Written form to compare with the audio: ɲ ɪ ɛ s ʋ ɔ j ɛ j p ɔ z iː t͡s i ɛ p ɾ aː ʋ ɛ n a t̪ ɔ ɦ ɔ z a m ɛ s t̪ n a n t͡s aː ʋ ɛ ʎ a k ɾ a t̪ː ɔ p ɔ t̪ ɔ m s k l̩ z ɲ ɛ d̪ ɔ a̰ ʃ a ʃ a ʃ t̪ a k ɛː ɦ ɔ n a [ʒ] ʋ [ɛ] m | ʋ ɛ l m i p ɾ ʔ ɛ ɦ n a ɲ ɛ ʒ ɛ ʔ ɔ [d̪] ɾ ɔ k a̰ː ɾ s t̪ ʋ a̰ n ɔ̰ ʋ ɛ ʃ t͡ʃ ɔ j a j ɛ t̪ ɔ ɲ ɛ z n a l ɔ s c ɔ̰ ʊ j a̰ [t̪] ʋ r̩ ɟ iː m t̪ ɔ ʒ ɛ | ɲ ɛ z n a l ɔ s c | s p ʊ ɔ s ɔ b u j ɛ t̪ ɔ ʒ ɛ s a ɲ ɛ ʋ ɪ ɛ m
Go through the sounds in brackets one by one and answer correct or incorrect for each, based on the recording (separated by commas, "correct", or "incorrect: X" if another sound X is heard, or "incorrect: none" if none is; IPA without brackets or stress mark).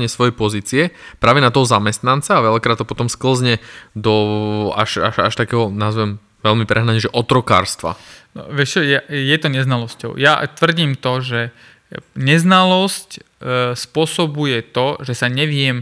incorrect: z, correct, incorrect: t̪, correct